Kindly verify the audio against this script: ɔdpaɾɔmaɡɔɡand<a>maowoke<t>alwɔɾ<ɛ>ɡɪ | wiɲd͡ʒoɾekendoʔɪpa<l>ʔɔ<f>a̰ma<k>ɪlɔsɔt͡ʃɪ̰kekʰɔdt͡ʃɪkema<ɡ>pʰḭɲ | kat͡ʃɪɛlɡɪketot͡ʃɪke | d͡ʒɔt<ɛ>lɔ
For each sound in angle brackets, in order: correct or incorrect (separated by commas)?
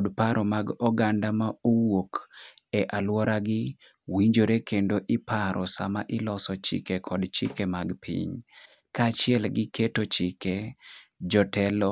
correct, incorrect, incorrect, incorrect, incorrect, incorrect, correct, correct